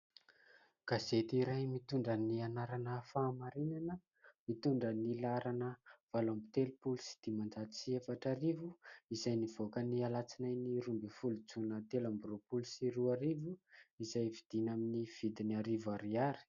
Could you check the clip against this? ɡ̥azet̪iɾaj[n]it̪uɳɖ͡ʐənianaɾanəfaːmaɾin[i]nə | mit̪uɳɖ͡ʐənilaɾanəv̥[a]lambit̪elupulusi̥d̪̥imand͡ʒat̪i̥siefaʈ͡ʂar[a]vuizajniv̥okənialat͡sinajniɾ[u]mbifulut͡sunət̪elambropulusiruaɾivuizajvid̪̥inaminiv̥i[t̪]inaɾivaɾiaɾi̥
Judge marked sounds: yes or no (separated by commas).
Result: no, no, yes, no, yes, no